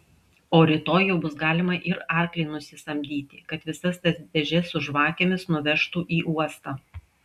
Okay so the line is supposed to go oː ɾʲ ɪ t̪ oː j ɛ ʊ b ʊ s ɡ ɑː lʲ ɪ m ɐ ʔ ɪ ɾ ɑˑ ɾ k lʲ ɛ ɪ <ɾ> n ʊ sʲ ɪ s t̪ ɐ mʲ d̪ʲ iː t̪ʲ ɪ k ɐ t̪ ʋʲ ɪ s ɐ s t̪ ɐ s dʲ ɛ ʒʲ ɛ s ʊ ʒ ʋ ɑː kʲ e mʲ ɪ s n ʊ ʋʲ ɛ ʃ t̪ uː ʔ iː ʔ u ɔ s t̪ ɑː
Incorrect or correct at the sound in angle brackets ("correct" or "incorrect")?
incorrect